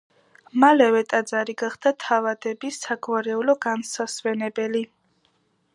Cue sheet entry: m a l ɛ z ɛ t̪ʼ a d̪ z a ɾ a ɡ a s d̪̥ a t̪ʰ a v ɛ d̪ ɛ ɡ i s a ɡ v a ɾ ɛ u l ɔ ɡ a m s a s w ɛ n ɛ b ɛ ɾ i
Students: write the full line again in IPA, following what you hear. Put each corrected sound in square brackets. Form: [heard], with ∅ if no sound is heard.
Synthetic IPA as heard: m a l ɛ [v] ɛ t̪ʼ a d̪ z a ɾ [i] ɡ a [χ] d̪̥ a t̪ʰ a v [a] d̪ ɛ [b] i s a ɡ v a ɾ ɛ u l ɔ ɡ a [n] s a s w ɛ n ɛ b ɛ [l] i